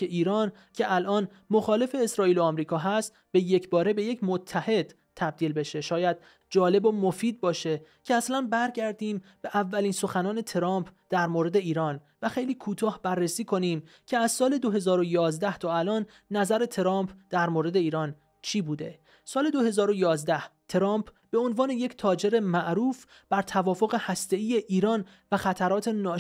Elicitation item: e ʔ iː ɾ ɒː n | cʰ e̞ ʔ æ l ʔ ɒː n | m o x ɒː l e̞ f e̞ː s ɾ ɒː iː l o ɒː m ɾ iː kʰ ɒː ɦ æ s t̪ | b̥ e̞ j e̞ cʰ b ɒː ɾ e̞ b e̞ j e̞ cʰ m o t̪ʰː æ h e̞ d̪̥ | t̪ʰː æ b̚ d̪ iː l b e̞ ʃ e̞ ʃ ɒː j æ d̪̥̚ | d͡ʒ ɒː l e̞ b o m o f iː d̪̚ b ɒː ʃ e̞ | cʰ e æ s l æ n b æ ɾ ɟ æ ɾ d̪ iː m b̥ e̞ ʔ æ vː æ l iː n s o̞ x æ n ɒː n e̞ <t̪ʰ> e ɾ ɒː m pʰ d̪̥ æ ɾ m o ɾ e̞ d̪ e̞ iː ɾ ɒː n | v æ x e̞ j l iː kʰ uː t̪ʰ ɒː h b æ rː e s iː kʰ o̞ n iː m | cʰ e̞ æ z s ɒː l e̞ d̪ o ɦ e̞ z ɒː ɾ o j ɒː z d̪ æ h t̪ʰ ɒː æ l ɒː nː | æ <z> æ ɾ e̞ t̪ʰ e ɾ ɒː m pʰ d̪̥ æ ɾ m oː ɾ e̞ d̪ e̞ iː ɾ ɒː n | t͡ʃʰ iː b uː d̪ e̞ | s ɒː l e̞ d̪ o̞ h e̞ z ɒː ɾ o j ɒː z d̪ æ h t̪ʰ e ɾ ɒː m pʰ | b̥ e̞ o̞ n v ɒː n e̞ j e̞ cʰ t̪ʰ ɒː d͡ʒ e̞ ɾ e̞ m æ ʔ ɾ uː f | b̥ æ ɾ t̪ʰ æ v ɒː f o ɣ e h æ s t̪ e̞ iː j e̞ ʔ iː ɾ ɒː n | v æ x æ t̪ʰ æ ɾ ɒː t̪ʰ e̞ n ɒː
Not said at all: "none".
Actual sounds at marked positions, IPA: t̪ʰ, z

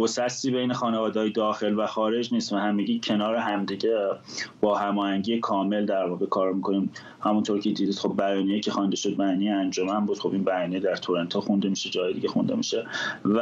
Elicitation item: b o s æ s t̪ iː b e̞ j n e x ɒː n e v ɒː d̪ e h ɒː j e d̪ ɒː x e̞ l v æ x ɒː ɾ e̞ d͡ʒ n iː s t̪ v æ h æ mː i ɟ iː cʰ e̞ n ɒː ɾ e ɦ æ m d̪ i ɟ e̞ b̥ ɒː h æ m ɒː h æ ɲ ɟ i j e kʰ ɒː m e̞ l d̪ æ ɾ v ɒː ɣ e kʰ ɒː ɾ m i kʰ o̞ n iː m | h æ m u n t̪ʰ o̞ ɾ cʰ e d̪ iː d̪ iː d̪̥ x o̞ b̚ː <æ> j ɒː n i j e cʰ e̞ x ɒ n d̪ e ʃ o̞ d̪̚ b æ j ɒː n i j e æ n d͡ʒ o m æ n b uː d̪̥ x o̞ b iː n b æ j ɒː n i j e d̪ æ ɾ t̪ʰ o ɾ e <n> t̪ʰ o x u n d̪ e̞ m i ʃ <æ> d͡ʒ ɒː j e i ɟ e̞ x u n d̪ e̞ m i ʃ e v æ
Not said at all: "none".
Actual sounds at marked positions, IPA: æ, n, e

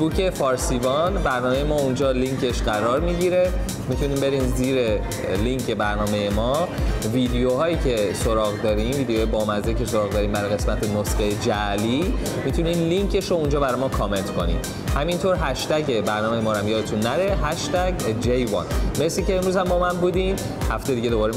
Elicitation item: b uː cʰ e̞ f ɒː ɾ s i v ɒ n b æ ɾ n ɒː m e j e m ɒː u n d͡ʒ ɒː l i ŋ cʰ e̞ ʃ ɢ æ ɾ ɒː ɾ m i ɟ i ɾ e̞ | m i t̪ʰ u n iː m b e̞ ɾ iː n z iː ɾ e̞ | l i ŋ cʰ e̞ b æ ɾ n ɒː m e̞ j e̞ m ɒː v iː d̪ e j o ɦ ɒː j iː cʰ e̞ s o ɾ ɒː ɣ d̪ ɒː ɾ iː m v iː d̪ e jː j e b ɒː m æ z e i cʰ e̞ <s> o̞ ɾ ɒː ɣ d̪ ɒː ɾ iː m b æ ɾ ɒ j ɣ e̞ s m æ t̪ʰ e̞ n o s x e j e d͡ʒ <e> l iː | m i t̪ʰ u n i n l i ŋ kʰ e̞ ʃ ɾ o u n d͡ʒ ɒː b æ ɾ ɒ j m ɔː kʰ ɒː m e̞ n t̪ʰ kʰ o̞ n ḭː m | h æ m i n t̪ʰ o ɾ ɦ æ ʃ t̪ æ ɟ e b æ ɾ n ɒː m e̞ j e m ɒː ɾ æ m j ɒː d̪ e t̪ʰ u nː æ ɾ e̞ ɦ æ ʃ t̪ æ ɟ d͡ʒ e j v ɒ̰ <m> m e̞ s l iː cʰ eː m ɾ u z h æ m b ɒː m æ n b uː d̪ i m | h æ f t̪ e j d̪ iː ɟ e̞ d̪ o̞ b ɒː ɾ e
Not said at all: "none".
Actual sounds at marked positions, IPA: s, æ, n

